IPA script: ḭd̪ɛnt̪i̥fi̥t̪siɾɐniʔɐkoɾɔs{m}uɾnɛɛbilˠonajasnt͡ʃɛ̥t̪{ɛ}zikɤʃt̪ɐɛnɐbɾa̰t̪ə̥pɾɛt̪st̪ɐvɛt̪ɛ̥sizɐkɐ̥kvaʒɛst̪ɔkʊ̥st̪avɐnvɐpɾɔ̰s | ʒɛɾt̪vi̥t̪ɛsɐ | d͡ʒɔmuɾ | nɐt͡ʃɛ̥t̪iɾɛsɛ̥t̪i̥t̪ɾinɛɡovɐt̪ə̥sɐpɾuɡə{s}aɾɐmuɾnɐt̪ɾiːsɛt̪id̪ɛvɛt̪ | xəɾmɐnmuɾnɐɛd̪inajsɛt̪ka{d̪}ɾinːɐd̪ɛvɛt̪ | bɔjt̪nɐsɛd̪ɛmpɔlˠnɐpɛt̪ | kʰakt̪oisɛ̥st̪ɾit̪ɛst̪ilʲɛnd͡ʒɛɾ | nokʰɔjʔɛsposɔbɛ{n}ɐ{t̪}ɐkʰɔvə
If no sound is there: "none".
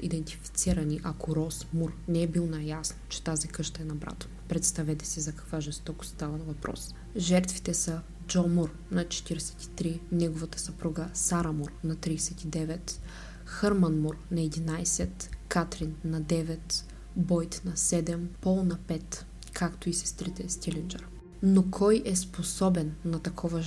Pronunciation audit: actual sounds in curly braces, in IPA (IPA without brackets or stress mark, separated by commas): m, a, s, t̪, nː, t̪